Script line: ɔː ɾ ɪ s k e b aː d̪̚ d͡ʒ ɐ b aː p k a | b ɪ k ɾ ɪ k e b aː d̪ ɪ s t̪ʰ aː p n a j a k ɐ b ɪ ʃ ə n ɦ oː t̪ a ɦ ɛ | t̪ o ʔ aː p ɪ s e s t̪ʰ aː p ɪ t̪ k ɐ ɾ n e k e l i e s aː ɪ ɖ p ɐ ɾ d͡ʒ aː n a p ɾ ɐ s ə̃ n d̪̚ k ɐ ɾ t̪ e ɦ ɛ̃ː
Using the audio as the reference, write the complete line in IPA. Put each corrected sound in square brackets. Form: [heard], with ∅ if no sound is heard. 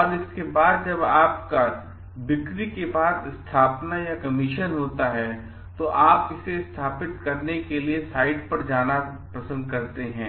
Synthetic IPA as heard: ɔː ɾ ɪ s k e b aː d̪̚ d͡ʒ ɐ b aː p k a | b ɪ k ɾ [i] k e b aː d̪ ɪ s t̪ʰ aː p n a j a k ɐ [m] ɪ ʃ ə n ɦ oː t̪ a ɦ ɛ | t̪ o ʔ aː p ɪ s e s t̪ʰ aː p ɪ t̪ k ɐ ɾ n e k e l i e s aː ɪ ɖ p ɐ ɾ d͡ʒ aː n a p ɾ ɐ s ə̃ n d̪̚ k ɐ ɾ t̪ e ɦ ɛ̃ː